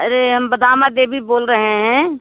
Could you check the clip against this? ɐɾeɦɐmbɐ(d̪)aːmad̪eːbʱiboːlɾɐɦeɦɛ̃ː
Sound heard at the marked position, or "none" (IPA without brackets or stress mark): d̪